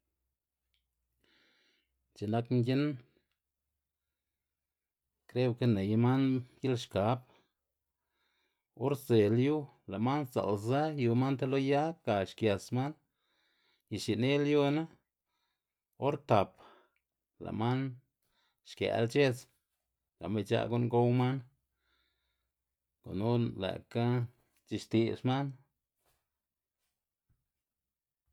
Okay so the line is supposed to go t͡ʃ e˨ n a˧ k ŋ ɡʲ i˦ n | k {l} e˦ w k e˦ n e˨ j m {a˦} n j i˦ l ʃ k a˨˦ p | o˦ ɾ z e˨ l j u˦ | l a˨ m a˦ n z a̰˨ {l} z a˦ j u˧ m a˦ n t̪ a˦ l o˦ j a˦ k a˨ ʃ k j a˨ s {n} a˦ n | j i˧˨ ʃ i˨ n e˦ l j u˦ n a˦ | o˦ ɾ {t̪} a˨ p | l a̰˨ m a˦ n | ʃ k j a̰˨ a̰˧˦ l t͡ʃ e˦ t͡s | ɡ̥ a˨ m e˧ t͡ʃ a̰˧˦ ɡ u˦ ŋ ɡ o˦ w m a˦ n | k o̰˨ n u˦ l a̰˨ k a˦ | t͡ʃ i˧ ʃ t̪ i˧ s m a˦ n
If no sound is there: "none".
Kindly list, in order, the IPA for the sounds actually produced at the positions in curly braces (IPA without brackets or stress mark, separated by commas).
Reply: ɾ, a˦, l, m, t̪